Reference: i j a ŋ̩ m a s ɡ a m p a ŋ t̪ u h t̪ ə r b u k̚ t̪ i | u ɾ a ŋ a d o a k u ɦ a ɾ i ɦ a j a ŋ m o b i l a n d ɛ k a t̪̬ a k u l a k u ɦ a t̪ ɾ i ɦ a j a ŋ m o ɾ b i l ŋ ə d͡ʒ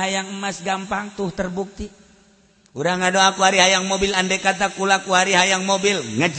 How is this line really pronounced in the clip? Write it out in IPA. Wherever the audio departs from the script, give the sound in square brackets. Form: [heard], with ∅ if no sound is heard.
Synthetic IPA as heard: [a] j a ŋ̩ m a s ɡ a m p a ŋ t̪ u h t̪ ə r b u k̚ t̪ i | u ɾ a ŋ a d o a k u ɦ a ɾ i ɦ a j a ŋ m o b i l a n d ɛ k a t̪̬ a k u l a k u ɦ a [∅] ɾ i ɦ a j a ŋ m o [∅] b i l ŋ ə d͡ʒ

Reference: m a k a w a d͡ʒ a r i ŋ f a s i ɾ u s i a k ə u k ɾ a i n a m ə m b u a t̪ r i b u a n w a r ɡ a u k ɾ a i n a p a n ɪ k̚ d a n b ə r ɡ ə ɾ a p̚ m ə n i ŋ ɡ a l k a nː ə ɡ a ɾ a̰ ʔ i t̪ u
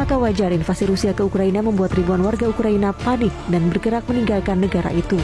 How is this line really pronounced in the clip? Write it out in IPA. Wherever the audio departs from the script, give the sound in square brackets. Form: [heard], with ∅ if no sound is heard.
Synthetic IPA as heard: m a k a w a d͡ʒ a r i [n] f a s i ɾ u s i a k ə u k ɾ a i n a m ə m b u a t̪ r i b u a n w a r ɡ a u k ɾ a i n a p a n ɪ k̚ d a n b ə r ɡ ə ɾ a [k̚] m ə n i ŋ ɡ a l k a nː ə ɡ a ɾ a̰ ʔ i t̪ u

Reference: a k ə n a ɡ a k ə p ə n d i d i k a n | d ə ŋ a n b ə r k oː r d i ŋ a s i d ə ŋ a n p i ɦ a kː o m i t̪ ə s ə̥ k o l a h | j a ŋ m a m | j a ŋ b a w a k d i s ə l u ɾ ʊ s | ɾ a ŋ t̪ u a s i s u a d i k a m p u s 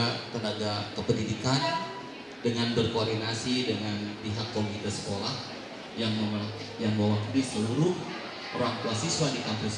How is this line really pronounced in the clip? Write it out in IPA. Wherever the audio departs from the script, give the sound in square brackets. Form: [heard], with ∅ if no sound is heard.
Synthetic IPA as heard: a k ə n a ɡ a k ə p ə n d i d i k a n | d ə ŋ a n b ə r k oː r d i [n] a s i d ə ŋ a n p i ɦ a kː o m i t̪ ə s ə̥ k o l a h | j a ŋ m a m | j a ŋ b a w a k d i s ə l u ɾ ʊ [h] | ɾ a ŋ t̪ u a s i s [w] a d i k a m p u s

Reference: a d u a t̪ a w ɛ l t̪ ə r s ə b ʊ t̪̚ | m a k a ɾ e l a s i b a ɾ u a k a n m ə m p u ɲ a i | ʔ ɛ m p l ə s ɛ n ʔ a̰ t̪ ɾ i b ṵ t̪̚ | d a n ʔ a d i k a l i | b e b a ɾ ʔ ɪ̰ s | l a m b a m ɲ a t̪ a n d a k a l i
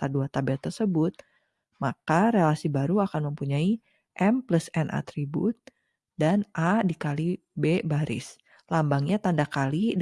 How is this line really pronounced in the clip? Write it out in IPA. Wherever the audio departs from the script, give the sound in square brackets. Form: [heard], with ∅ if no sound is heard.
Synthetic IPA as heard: a d u a t̪ a [b] ɛ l t̪ ə r s ə b ʊ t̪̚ | m a k a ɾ e l a s i b a ɾ u a k a n m ə m p u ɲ a i | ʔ ɛ m p l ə s ɛ n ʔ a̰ t̪ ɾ i b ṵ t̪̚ | d a n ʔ a d i k a l i | b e b a ɾ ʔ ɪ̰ s | l a m b a [ŋ] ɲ a t̪ a n d a k a l i

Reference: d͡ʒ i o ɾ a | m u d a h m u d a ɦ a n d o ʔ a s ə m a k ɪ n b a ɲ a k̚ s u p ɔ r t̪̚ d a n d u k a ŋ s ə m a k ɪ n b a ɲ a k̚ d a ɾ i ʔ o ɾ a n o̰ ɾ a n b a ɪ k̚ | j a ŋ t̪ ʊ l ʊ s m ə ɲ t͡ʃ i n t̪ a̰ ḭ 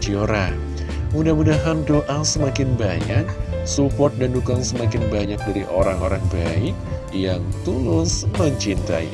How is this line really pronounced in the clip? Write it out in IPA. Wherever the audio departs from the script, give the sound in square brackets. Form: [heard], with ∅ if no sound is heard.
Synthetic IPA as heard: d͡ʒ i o ɾ a | m u d a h m u d a ɦ a n d o ʔ a s ə m a k ɪ n b a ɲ a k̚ s u p ɔ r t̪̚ d a n d u k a ŋ s ə m a k ɪ n b a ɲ a k̚ d a ɾ i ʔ o ɾ a [ŋ] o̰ ɾ a [ŋ] b a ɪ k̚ | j a ŋ t̪ [u] l ʊ s m ə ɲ t͡ʃ i n t̪ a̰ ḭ

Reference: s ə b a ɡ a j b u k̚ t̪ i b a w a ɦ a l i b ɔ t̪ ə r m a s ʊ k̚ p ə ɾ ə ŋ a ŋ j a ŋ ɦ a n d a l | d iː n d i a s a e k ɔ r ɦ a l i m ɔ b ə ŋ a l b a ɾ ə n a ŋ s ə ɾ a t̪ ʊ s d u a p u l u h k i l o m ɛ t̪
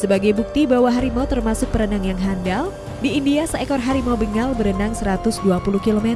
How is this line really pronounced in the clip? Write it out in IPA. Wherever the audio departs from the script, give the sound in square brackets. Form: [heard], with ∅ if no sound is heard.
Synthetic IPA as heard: s ə b a ɡ a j b u k̚ t̪ i b a w a ɦ a [ɾ] i [m] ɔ t̪ ə r m a s ʊ k̚ p ə ɾ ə [n] a ŋ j a ŋ ɦ a n d a l | d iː n d i a s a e k ɔ r ɦ a [ɾ] i m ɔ b ə ŋ a l b [ə] ɾ ə n a ŋ s ə ɾ a t̪ ʊ s d u a p u l u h k i l o m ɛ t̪

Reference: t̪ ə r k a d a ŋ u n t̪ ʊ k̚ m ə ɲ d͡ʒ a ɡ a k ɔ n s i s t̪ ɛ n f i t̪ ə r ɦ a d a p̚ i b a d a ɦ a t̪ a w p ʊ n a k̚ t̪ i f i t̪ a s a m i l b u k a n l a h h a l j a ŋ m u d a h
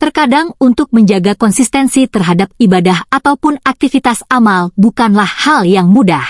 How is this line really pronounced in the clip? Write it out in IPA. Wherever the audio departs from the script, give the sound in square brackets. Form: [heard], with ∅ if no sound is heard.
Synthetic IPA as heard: t̪ ə r k a d a ŋ u n t̪ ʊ k̚ m ə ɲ d͡ʒ a ɡ a k ɔ n s i s t̪ ɛ n [s] i t̪ ə r ɦ a d a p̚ i b a d a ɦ a t̪ a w p ʊ n a k̚ t̪ i f i t̪ a s a m [a] l b u k a n l a h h a l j a ŋ m u d a h

